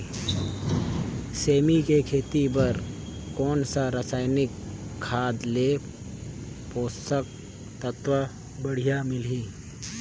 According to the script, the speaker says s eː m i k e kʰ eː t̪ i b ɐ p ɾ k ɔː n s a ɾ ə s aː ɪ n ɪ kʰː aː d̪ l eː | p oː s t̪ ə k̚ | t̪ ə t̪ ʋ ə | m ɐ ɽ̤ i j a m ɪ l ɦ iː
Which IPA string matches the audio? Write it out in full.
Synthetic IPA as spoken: s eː m i k e kʰ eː t̪ i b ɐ ɾ k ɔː n s a ɾ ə s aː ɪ n ɪ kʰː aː d̪ l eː | p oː s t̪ ə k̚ | t̪ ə t̪ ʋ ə | b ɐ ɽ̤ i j a m ɪ l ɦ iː